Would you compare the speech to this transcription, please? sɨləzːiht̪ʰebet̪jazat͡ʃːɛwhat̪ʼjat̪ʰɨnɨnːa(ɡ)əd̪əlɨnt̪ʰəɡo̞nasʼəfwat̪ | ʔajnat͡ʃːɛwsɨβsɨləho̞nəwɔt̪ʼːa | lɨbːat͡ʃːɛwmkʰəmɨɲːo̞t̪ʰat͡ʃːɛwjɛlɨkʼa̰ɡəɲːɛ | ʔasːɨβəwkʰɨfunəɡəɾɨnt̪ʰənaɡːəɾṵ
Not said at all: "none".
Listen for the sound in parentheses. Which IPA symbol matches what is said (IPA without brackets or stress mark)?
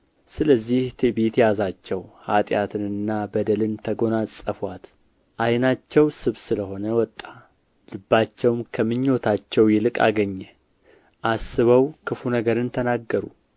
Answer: b